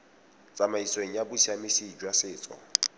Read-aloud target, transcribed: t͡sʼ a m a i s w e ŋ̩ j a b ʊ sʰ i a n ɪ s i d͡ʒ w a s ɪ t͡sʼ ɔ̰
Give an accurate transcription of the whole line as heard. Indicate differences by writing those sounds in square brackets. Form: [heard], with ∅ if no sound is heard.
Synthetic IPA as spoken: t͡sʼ a m a i s w e ŋ̩ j a b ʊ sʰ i a [m] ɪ s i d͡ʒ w a s [ɪː] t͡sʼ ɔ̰